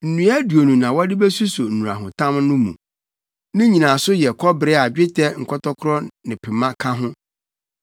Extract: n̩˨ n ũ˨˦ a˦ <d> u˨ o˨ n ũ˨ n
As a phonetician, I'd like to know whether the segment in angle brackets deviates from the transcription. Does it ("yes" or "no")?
no